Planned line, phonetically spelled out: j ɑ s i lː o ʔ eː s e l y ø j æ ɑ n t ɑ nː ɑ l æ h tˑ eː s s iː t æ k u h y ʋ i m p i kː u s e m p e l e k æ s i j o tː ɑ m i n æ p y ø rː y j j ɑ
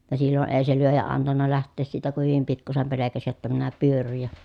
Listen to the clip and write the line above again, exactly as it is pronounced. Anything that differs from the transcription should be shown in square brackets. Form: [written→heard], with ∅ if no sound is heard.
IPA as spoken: j ɑ s i lː o ʔ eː s e l y ø j æ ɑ n t ɑ nː ɑ l æ h tˑ eː s s iː t æ k u h y ʋ i m p i kː u s e m p e l e k æ s i j o tː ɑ m i n æ p y ø rː y j j ɑ